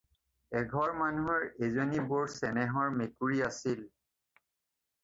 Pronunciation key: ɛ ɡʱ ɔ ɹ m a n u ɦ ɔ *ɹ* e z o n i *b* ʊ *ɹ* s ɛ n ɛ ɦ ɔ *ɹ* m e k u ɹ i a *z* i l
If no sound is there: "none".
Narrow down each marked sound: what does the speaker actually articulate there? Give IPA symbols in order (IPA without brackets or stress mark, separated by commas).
ɹ, b, ɹ, ɹ, s